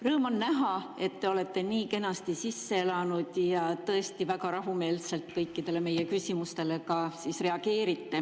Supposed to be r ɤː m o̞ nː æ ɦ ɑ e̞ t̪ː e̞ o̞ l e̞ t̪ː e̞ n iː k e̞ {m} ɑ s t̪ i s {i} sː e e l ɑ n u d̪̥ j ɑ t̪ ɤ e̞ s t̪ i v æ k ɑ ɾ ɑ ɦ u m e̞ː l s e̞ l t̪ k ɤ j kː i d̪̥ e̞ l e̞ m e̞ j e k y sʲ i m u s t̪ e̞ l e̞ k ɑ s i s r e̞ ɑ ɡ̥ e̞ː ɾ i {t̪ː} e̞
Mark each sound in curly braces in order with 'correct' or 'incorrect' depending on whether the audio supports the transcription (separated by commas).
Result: incorrect, correct, correct